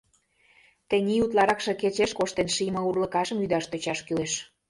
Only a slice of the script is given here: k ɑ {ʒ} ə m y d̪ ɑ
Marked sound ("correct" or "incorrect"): incorrect